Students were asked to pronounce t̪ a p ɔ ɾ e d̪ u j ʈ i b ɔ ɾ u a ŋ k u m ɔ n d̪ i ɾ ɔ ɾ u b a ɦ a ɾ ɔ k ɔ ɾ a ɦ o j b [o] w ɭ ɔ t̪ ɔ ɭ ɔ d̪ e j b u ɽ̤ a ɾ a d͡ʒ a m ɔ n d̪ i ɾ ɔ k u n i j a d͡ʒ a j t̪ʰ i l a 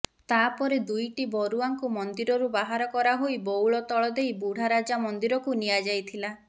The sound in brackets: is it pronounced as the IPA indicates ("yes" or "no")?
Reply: yes